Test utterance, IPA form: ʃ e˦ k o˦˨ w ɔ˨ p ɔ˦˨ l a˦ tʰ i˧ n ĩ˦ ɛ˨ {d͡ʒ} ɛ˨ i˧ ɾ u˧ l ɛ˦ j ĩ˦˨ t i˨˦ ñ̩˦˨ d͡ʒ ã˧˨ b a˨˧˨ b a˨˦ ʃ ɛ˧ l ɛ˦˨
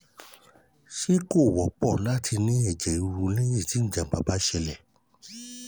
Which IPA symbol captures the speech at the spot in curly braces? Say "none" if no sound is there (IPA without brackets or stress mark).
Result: d͡ʒ